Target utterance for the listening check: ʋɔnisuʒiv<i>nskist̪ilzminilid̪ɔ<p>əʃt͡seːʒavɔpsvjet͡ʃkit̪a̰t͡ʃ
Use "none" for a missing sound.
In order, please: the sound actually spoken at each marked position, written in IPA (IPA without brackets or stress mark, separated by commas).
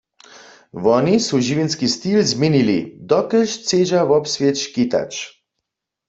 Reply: i, k